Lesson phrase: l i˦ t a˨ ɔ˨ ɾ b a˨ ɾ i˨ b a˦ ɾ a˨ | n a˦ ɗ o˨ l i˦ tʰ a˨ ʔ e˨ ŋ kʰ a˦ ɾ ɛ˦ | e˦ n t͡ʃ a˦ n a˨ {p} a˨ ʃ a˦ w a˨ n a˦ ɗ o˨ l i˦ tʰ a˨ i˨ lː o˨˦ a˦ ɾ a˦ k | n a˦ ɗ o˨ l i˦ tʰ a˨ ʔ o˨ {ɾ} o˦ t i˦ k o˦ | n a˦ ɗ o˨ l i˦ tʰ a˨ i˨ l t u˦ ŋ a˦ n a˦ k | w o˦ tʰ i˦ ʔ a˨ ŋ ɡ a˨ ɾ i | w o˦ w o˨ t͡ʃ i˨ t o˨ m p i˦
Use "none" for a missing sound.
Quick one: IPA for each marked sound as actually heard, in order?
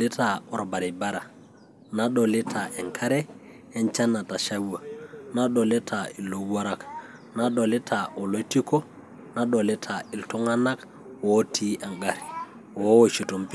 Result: t, l

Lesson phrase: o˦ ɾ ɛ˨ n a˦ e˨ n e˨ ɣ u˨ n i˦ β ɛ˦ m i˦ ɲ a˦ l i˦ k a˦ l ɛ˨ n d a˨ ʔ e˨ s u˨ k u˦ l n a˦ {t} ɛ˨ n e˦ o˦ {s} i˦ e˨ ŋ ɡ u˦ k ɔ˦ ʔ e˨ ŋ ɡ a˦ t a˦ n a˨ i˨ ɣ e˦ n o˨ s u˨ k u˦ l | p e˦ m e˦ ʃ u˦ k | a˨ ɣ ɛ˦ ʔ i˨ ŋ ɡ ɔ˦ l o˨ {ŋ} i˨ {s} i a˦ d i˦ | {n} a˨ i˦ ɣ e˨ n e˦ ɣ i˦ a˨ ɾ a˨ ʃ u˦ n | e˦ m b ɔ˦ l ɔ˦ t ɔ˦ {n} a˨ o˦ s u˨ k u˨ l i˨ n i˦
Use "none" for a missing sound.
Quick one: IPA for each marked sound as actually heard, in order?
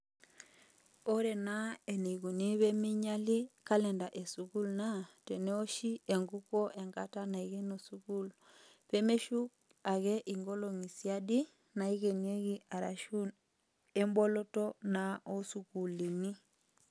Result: t, ʃ, ŋ, s, n, n

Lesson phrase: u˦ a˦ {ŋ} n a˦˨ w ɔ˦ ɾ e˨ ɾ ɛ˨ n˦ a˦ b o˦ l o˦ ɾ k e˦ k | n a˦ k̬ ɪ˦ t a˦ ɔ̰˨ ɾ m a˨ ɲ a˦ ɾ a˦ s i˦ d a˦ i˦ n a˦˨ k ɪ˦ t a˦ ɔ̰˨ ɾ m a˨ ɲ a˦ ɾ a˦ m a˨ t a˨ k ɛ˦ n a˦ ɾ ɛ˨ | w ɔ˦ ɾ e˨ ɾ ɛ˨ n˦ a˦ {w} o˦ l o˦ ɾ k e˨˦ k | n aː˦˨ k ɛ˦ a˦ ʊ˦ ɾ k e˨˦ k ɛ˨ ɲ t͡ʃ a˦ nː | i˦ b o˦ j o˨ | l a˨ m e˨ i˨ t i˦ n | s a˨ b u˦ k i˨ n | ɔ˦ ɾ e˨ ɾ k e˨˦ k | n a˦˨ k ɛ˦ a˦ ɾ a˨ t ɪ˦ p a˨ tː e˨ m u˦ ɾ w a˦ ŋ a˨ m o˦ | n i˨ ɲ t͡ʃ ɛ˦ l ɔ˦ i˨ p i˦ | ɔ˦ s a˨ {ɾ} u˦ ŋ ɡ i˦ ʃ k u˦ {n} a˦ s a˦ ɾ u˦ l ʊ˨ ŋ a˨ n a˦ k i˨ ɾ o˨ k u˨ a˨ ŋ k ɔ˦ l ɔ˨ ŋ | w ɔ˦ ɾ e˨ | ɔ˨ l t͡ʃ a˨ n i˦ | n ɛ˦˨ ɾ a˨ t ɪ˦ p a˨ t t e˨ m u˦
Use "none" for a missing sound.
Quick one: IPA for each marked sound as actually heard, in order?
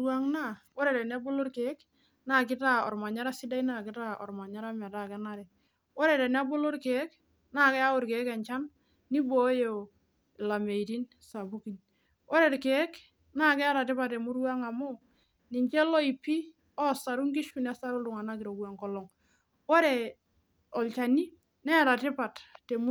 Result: ŋ, b, ɾ, n

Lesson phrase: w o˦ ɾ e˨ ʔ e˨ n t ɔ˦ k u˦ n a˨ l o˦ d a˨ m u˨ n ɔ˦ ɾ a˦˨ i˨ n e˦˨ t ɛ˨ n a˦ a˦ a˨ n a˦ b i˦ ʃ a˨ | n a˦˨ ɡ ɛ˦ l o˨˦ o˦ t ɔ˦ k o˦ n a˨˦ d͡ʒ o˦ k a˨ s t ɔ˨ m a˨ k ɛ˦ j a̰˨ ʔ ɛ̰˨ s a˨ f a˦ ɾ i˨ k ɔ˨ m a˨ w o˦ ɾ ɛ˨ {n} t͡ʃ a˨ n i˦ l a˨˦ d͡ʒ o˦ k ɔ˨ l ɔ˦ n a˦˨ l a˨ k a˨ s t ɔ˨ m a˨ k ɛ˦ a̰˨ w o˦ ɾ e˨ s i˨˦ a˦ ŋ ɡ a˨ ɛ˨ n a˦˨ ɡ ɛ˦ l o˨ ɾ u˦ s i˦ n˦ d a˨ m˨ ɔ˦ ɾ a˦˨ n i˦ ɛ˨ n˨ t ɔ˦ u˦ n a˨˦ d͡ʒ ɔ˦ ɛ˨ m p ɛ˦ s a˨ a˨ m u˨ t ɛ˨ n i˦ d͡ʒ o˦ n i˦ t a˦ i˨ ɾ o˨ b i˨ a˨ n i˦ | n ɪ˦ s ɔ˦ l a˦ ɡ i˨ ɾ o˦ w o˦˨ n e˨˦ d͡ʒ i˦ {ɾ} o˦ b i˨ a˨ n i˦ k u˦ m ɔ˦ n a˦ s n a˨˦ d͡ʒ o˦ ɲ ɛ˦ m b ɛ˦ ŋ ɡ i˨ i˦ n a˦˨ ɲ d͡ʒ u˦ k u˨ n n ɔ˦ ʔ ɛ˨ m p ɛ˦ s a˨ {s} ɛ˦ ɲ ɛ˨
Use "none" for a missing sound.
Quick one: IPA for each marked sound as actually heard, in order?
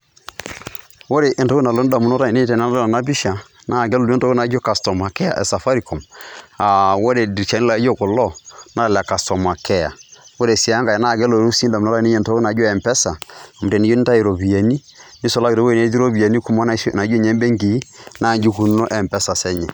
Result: d, ɾ, s

